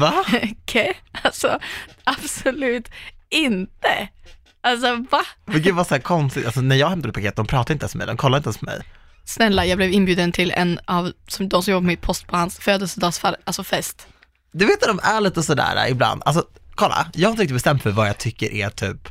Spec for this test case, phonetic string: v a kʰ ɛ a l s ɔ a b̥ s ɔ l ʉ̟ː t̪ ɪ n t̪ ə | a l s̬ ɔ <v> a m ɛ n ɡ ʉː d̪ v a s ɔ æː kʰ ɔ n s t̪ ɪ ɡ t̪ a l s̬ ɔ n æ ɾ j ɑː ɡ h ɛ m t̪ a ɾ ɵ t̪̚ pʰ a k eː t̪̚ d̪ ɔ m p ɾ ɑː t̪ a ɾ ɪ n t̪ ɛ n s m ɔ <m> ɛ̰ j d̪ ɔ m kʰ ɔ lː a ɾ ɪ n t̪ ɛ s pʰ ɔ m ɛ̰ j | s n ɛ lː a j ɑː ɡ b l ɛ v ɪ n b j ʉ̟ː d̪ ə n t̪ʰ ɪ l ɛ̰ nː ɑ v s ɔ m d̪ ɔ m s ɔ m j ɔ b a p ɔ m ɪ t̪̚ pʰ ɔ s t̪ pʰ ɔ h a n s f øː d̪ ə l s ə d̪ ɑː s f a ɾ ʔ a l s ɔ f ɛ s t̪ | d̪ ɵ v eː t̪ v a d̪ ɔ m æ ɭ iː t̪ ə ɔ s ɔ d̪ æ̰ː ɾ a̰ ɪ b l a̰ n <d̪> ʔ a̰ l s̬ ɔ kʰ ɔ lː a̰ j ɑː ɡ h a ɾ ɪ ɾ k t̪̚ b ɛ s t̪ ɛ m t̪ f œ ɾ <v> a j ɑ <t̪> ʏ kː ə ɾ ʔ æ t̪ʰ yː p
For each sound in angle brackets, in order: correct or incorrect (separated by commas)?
correct, correct, correct, correct, incorrect